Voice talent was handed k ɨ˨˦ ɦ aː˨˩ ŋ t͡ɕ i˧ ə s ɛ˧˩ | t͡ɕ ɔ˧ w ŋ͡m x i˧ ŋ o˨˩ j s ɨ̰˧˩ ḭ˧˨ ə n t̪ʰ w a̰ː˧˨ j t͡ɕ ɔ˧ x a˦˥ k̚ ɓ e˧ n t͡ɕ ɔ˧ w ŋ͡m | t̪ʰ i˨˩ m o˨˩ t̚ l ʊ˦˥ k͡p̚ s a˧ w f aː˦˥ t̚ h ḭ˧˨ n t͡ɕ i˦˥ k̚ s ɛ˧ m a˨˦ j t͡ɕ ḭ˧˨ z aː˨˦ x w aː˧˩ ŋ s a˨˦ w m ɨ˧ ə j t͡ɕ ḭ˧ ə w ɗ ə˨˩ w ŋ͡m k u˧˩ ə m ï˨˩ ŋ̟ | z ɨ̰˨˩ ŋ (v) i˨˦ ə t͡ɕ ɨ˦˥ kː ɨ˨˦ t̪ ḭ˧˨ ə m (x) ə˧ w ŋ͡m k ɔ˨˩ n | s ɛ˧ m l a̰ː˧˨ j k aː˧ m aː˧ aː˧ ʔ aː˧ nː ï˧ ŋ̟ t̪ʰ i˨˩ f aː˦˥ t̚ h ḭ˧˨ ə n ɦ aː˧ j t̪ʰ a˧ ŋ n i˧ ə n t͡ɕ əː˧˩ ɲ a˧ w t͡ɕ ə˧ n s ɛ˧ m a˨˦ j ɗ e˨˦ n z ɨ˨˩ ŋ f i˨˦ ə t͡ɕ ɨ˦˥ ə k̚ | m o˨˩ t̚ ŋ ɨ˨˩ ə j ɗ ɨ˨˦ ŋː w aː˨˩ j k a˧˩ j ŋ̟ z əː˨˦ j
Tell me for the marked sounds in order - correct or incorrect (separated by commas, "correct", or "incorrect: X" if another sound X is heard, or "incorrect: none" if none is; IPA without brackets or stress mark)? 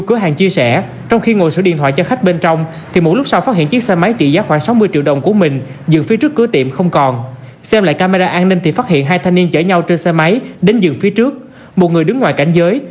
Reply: incorrect: f, correct